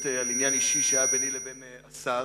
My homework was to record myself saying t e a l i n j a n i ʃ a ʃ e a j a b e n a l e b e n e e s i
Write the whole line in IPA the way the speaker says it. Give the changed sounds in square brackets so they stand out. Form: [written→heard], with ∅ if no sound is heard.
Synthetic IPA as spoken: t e a l i n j a n i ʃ [a→i] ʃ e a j a b e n [a→i] l e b e n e [e→a] s [i→a]